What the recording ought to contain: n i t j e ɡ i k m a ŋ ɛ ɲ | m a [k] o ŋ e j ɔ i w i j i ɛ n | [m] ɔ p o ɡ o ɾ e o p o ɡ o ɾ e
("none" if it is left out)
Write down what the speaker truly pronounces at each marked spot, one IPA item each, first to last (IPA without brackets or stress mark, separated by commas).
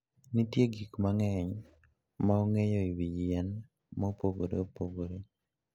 none, m